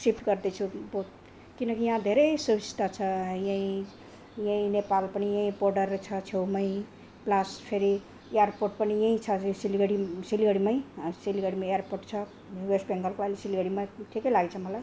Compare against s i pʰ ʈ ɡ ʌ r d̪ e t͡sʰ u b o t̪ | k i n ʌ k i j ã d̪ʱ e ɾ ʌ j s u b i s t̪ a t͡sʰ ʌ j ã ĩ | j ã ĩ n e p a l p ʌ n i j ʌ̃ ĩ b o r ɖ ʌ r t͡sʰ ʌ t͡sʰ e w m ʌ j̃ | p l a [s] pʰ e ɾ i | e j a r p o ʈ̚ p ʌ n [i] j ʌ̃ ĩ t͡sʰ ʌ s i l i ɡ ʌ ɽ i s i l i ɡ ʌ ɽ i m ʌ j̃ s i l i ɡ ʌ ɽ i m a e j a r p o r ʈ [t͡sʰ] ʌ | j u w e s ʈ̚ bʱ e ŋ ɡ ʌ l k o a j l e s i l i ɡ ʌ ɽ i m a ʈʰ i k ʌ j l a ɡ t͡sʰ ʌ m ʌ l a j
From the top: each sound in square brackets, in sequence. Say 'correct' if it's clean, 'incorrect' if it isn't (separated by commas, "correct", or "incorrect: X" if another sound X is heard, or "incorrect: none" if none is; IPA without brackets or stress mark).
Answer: correct, correct, correct